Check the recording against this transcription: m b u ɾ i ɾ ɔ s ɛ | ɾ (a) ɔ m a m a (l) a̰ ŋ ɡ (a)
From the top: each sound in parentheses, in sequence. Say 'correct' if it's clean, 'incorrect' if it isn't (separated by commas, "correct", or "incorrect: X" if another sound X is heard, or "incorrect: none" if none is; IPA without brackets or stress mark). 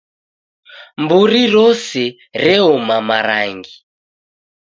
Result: incorrect: ɛ, incorrect: ɾ, incorrect: i